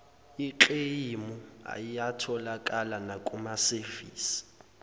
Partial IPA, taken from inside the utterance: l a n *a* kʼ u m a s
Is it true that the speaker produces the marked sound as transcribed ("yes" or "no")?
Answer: yes